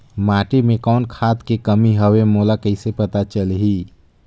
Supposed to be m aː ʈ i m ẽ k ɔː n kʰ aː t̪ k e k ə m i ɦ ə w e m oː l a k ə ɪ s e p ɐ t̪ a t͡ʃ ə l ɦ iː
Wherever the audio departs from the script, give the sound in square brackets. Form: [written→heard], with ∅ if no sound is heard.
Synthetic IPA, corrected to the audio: m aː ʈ i m ẽ k ɔː n kʰ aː t̪ k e k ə m i ɦ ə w e m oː l a k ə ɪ s e p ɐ t̪ a t͡ʃ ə l ɦ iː